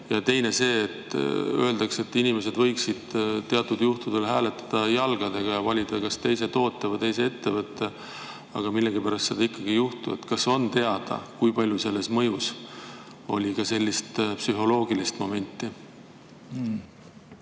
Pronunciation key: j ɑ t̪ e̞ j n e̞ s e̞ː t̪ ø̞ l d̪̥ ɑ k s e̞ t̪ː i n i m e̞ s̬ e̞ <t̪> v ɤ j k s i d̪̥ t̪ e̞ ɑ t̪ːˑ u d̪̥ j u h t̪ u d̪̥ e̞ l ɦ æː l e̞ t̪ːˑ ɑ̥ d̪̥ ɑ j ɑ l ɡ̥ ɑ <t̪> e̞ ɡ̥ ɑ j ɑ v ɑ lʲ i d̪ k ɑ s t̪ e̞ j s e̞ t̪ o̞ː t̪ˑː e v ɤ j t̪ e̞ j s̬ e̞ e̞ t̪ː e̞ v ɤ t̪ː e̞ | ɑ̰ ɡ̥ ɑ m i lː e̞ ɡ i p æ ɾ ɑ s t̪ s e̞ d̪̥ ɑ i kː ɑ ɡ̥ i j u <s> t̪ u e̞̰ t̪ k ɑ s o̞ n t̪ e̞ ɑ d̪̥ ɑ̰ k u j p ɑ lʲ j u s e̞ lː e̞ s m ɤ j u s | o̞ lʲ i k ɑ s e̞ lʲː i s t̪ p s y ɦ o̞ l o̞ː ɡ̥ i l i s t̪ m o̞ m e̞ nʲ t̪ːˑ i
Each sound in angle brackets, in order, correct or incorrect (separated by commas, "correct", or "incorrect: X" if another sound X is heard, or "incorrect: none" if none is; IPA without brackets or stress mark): incorrect: d̪, incorrect: d̪, incorrect: h